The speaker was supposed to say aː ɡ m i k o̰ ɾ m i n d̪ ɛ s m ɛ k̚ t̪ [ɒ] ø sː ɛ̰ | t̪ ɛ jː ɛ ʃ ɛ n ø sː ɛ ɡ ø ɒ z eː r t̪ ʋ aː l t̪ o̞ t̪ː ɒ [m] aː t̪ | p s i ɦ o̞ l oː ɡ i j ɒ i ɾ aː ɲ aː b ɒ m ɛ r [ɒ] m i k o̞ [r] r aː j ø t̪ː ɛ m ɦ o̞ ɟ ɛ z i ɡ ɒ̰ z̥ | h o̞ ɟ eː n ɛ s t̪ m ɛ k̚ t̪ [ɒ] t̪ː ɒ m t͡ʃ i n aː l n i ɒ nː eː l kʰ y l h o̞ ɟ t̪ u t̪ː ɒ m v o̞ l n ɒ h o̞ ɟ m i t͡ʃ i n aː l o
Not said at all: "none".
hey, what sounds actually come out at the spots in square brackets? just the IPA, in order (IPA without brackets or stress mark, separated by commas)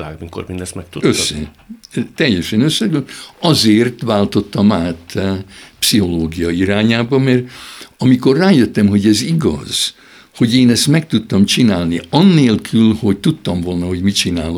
u, m, ɒ, r, u